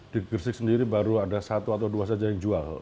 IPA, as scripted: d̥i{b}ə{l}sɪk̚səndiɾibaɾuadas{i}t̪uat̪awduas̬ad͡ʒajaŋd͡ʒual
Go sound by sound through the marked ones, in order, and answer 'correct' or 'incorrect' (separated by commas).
incorrect, incorrect, incorrect